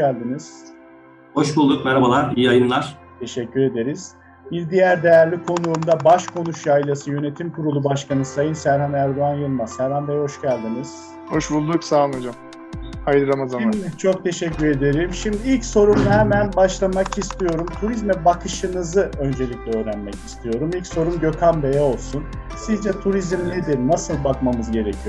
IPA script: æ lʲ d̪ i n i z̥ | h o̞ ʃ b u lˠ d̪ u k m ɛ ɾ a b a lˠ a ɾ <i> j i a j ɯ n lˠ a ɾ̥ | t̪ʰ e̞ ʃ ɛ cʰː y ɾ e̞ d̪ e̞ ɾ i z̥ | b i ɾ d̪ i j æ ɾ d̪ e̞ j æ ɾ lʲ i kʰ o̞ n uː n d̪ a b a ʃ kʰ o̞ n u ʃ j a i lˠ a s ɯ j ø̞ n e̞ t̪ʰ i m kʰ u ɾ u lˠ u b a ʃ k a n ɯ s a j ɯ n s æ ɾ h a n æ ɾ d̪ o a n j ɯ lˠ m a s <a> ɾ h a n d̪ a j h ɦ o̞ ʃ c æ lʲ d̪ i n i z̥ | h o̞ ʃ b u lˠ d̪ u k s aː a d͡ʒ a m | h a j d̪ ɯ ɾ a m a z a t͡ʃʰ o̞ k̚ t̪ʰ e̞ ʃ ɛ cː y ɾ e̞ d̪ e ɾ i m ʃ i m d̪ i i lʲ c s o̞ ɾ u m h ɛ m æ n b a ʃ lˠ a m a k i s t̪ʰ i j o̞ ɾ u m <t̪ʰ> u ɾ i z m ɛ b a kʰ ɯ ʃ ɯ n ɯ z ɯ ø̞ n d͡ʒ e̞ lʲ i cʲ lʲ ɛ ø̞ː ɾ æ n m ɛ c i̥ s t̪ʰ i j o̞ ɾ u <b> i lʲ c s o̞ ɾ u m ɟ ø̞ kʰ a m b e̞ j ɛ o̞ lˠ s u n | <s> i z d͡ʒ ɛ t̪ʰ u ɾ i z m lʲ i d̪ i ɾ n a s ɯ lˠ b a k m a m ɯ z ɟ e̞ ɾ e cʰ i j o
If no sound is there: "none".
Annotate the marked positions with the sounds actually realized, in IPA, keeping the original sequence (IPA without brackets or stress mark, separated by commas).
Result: i, æ, t̪ʰ, m, s